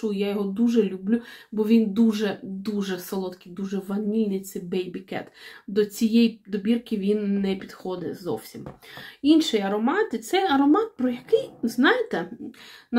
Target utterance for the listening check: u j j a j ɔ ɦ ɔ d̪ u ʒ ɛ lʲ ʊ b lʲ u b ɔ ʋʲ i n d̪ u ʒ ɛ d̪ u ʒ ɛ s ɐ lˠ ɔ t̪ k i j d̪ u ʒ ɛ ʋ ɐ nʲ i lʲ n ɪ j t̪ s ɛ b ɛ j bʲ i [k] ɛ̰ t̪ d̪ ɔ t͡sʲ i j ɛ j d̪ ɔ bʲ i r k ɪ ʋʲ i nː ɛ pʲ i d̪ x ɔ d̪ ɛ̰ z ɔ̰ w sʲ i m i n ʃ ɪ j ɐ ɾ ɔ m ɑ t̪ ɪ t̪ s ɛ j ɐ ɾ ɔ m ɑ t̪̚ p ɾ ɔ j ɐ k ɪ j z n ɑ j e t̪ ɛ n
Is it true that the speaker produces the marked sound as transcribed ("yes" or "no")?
yes